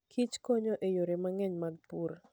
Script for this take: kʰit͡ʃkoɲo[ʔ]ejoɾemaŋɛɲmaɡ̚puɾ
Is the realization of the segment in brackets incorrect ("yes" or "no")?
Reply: no